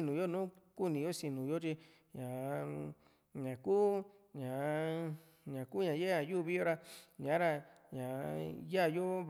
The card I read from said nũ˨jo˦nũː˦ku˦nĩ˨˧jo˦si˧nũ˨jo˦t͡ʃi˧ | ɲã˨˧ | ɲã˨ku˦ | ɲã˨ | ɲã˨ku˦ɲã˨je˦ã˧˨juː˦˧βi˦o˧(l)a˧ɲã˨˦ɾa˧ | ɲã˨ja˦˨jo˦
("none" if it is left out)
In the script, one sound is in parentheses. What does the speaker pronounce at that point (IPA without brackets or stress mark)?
ɾ